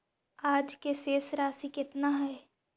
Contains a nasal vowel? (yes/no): no